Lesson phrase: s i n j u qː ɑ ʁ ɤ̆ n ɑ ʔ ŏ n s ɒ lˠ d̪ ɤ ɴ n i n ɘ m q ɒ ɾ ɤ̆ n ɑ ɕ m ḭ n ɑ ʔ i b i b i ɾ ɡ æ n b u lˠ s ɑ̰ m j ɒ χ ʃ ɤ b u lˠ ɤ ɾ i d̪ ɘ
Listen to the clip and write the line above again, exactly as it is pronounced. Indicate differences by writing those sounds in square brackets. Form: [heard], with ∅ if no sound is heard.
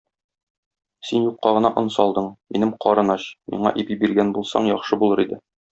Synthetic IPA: s i n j u qː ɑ ʁ ɤ̆ n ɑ ʔ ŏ n s ɒ lˠ d̪ ɤ ɴ [m] i n ɘ m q ɒ ɾ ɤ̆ n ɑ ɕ m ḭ [ɴ] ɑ ʔ i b i b i ɾ ɡ æ n b u lˠ s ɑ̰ [ɴ] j ɒ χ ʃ ɤ b u lˠ ɤ ɾ i d̪ ɘ